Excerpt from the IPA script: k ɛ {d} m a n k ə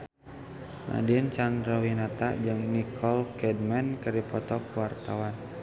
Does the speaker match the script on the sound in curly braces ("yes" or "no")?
yes